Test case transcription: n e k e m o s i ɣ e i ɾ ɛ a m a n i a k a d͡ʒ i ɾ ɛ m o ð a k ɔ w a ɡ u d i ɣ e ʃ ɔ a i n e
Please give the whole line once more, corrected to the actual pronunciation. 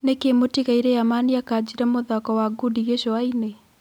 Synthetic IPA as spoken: n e k e m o t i ɣ a i ɾ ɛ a m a n i a k a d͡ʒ i ɾ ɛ m o ð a k ɔ w a ɡ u d i ɣ e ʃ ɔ a i n e

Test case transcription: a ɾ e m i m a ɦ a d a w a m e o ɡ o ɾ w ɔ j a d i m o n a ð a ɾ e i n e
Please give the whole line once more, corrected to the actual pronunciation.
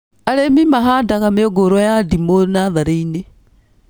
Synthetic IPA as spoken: a ɾ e m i m a ɦ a d a ɣ a m e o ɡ o ɾ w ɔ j a d i m o n a ð a ɾ e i n e

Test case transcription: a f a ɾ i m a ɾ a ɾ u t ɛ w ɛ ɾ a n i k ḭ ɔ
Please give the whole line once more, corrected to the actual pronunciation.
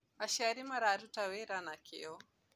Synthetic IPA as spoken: a ʃ a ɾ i m a ɾ a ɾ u t a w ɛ ɾ a n a k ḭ ɔ

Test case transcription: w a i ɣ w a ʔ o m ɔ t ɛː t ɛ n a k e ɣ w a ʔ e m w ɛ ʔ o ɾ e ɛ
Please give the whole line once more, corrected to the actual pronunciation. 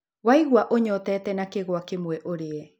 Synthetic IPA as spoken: w a i ɣ w a ʔ o ɲ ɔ t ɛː t ɛ n a k e ɣ w a k e m w ɛ ʔ o ɾ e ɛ

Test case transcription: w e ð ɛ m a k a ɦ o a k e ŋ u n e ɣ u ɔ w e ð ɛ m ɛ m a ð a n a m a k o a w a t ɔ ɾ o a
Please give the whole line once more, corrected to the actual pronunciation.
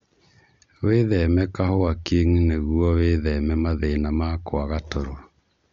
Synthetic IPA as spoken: w e ð ɛ m ɛ k a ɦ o a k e ŋ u n e ɣ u ɔ w e ð ɛ m ɛ m a ð e n a m a k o a ɣ a t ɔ ɾ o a

